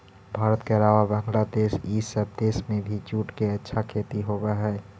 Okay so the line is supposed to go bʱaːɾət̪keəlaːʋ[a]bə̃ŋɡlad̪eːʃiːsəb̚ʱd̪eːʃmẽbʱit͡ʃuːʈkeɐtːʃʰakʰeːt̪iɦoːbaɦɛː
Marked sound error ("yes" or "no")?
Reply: no